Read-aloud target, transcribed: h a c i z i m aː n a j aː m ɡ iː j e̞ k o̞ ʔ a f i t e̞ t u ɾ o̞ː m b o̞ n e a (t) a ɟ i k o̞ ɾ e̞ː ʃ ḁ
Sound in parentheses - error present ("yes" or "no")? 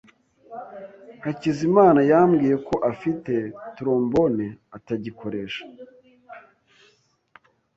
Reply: no